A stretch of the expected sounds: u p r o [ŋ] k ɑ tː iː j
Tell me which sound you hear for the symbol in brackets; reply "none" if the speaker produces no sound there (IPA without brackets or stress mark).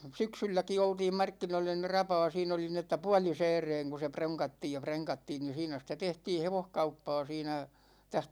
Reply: ŋ